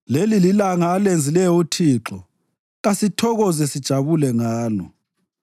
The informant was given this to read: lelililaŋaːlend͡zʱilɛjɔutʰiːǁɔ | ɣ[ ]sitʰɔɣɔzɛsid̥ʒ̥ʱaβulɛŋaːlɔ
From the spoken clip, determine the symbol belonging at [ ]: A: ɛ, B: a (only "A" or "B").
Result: B